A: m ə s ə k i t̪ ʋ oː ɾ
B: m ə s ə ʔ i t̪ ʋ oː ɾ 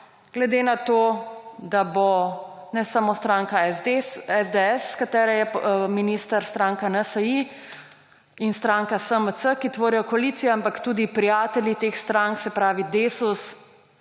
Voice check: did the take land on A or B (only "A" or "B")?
A